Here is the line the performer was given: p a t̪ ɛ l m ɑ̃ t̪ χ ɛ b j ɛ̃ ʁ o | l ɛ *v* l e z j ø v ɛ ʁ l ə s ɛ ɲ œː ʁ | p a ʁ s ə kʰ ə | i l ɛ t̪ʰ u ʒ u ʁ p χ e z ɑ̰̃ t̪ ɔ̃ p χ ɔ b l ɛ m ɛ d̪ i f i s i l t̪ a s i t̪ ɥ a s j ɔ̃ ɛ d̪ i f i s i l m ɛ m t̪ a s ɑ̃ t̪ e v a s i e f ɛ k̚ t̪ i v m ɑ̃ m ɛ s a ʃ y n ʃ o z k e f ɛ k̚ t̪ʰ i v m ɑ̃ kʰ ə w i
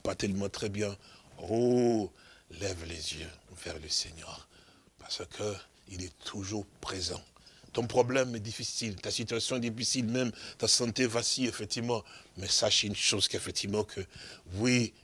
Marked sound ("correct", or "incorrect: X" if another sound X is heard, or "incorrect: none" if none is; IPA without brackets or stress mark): correct